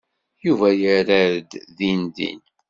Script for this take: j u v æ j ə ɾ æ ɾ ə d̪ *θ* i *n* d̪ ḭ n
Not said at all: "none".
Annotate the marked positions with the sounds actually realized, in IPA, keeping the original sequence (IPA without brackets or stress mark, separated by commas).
ð, n